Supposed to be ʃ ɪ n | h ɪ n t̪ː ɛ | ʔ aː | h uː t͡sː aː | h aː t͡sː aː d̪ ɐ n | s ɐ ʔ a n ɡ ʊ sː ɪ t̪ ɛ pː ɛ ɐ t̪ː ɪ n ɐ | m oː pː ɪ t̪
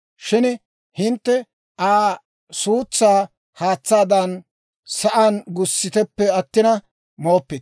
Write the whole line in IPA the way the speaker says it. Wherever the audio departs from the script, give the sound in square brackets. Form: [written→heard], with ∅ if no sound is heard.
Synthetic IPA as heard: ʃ ɪ n | h ɪ n t̪ː ɛ | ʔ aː | [h→s] uː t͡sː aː | h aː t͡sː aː d̪ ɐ n | s ɐ ʔ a n ɡ ʊ sː ɪ t̪ ɛ pː ɛ ɐ t̪ː ɪ n ɐ | m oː pː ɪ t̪